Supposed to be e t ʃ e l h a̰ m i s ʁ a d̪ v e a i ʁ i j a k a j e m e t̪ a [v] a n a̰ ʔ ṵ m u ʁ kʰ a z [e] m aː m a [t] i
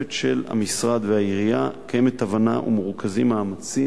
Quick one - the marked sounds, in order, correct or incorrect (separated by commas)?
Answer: correct, incorrect, incorrect